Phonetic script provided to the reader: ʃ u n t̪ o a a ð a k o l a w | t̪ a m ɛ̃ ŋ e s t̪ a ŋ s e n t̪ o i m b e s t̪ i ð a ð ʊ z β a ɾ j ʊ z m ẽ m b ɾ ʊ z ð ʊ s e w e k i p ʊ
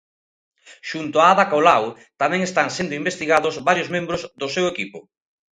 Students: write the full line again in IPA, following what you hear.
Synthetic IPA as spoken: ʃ u n t̪ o a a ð a k o l a w | t̪ a m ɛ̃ ŋ e s t̪ a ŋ s e n d̪ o i m b e s t̪ i ɣ a ð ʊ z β a ɾ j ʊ z m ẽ m b ɾ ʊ z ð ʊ s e w e k i p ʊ